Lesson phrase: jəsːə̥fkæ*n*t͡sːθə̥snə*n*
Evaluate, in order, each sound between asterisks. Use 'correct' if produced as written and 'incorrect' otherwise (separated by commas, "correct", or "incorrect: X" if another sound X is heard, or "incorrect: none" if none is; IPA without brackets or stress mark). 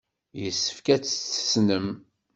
incorrect: none, incorrect: m